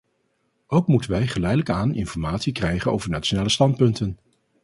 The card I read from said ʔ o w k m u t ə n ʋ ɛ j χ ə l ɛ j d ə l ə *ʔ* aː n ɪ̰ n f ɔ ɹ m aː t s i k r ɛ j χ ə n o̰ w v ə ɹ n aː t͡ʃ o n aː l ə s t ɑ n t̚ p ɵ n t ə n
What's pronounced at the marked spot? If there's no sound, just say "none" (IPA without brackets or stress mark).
k